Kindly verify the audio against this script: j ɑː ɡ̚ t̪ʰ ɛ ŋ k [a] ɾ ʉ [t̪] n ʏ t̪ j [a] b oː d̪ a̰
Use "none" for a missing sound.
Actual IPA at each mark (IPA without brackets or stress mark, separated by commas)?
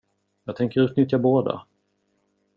ə, t̪, a